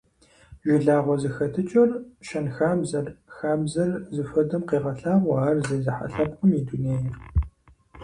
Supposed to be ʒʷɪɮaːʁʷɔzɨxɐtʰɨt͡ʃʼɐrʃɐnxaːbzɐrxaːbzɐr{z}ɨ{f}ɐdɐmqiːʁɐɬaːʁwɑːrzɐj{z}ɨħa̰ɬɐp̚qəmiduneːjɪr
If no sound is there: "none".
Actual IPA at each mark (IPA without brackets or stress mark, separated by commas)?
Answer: z, f, z